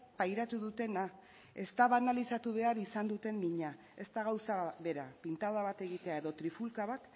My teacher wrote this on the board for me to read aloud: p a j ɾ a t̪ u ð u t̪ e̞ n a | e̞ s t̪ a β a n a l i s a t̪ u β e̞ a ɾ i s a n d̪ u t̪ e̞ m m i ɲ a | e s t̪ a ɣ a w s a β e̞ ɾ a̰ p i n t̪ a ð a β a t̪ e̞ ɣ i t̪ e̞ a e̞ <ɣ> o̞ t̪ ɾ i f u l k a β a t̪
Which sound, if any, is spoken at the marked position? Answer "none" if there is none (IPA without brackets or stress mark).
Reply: ð